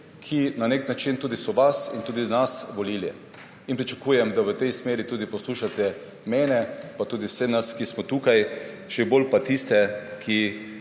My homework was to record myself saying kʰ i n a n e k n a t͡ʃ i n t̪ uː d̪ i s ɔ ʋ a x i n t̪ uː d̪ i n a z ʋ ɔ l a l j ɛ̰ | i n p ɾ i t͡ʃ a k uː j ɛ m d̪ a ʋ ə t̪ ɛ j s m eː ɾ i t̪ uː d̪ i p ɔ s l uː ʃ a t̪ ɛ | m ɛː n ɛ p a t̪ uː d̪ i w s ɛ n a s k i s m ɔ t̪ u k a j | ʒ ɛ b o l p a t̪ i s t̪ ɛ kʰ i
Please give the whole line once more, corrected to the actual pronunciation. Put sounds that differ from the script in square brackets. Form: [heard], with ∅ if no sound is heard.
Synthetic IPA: kʰ i n a n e k n a t͡ʃ i n t̪ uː d̪ i s ɔ ʋ a [s] i n t̪ uː d̪ i n a [s] ʋ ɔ l [i] l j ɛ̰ | i n p ɾ i t͡ʃ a k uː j ɛ m d̪ a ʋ ə t̪ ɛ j s m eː ɾ i t̪ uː d̪ i p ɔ s l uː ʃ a t̪ ɛ | m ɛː n ɛ p a t̪ uː d̪ i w s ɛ n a s k i s m ɔ t̪ u k a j | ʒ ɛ b o l p a t̪ i s t̪ ɛ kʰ i

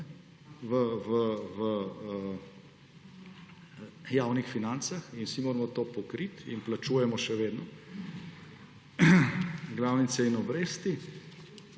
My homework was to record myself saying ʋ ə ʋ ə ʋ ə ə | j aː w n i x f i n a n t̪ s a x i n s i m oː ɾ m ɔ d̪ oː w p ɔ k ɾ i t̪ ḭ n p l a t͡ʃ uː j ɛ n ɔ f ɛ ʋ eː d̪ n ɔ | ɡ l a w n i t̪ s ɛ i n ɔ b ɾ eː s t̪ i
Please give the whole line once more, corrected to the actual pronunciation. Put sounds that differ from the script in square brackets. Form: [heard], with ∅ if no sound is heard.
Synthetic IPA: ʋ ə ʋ ə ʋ ə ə | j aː w n i x f i n a n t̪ s a x i n s i m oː ɾ m ɔ [t̪] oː [∅] p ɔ k ɾ i t̪ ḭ n p l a t͡ʃ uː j ɛ [m] ɔ [ʃ] ɛ ʋ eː d̪ n ɔ | ɡ l a w n i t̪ s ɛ i n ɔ b ɾ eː s t̪ i

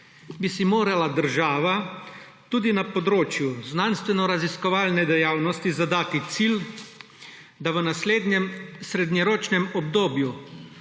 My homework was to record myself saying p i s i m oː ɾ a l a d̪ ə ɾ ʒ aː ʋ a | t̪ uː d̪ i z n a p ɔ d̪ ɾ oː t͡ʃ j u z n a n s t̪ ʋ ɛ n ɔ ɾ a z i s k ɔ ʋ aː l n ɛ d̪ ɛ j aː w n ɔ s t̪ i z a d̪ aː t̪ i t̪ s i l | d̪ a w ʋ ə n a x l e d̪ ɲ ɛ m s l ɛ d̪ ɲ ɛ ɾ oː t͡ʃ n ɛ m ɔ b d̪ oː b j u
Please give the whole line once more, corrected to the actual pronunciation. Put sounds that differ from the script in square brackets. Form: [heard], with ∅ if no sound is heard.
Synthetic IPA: [b] i s i m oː ɾ a l a d̪ ə ɾ ʒ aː ʋ a | t̪ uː d̪ i [∅] n a p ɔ d̪ ɾ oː t͡ʃ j u z n a n s t̪ ʋ ɛ n ɔ ɾ a z i s k ɔ ʋ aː l n ɛ d̪ ɛ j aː w n ɔ s t̪ i z a d̪ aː t̪ i t̪ s i l | d̪ a [∅] ʋ ə n a [s] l e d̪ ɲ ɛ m s [ɾ] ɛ d̪ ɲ ɛ ɾ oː t͡ʃ n ɛ m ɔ b d̪ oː b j u

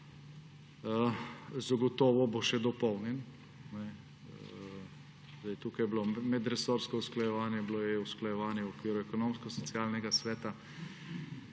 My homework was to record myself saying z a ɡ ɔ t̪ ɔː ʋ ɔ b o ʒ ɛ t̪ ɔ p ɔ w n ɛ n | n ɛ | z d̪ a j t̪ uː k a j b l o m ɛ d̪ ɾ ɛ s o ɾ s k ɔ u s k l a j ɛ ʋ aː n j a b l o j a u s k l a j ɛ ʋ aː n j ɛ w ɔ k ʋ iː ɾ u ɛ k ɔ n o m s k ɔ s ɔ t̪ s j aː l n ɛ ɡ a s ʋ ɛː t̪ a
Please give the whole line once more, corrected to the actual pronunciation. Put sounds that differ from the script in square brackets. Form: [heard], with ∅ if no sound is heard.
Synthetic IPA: z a ɡ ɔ t̪ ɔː ʋ ɔ b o [ʃ] ɛ [d̪] ɔ p ɔ w n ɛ n | n ɛ | z d̪ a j t̪ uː k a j b l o m ɛ d̪ ɾ ɛ s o ɾ s k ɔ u s k l a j ɛ ʋ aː n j [ɛ] b l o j [ɛ] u s k l a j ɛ ʋ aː n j ɛ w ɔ k ʋ iː ɾ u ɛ k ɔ n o m s k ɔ s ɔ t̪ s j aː l n ɛ ɡ a s ʋ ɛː t̪ a

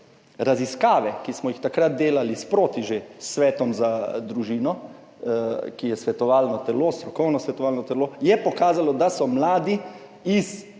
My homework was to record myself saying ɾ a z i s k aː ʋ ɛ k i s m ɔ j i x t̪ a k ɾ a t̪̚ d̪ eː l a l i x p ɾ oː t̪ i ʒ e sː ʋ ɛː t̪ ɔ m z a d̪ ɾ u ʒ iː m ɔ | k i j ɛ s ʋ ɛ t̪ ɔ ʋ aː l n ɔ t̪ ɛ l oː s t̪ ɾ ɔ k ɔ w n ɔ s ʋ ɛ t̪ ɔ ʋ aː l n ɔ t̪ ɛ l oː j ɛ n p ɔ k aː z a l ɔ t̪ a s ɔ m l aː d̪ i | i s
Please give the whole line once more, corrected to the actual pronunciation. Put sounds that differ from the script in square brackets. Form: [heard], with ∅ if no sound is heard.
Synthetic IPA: ɾ a z i s k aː ʋ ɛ k i s m ɔ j i x t̪ a k ɾ a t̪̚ d̪ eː l a l i [s] p ɾ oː t̪ i ʒ e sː ʋ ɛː t̪ ɔ m z a d̪ ɾ u ʒ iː [n] ɔ | k i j ɛ s ʋ ɛ t̪ ɔ ʋ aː l n ɔ t̪ ɛ l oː s t̪ ɾ ɔ k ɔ w n ɔ s ʋ ɛ t̪ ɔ ʋ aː l n ɔ t̪ ɛ l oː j ɛ [∅] p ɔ k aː z a l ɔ [d̪] a s ɔ m l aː d̪ i | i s

